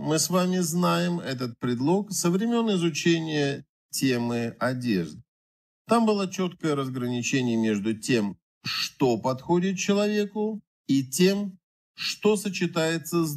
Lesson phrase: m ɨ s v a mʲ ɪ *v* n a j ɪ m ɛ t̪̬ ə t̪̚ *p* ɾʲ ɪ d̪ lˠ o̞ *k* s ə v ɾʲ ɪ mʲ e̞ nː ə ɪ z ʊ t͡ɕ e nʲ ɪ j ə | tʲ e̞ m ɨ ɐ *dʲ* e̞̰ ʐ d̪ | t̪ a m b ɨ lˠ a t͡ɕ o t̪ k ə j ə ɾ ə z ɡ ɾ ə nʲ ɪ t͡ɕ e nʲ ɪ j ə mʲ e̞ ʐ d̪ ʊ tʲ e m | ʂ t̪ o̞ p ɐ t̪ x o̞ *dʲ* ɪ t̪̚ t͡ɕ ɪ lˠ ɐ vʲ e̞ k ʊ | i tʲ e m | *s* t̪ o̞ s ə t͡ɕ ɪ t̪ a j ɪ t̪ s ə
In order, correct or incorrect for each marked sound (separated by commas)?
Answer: incorrect, correct, correct, correct, correct, incorrect